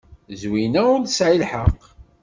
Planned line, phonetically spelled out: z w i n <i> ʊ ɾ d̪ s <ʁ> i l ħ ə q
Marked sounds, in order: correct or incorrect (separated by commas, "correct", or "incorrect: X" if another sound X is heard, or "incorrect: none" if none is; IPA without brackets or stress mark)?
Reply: incorrect: æ, incorrect: ʕ